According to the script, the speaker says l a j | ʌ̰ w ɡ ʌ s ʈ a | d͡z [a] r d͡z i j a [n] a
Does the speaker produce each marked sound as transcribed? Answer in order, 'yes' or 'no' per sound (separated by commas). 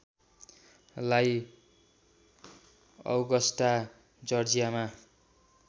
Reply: no, no